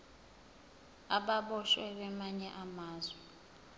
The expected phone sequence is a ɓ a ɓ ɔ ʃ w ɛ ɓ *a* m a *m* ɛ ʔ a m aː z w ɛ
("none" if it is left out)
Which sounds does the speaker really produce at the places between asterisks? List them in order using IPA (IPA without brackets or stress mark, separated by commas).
ɛ, ɲ